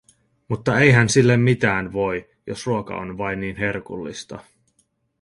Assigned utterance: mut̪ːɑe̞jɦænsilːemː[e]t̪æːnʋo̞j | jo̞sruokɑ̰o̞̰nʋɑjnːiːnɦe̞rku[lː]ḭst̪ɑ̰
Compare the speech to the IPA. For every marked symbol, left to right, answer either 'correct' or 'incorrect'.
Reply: incorrect, correct

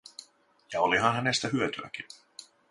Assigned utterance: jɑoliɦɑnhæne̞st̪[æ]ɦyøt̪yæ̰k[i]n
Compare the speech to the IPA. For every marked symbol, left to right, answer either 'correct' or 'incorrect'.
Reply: correct, correct

